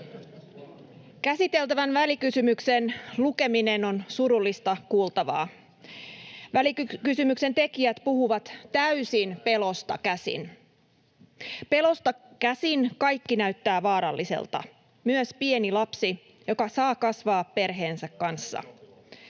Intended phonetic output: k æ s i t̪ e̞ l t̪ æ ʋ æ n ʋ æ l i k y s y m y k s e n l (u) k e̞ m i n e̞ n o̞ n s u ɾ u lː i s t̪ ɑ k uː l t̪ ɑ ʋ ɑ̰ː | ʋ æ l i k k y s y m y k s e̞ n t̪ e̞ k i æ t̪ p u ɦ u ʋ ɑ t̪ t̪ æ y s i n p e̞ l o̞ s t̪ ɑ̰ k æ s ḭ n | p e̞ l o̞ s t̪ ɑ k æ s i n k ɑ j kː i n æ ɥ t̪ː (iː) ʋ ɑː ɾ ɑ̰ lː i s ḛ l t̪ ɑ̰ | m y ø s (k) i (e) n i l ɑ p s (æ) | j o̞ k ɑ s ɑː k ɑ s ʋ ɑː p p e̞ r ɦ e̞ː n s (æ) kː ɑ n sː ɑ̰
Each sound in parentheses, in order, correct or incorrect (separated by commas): correct, incorrect, incorrect, correct, incorrect, correct